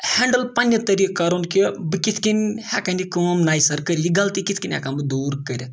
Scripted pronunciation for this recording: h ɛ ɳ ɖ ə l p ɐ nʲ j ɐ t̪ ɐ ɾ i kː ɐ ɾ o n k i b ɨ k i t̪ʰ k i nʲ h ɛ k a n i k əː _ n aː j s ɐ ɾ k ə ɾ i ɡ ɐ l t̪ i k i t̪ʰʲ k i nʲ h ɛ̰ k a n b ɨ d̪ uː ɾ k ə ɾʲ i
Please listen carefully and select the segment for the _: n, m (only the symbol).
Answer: m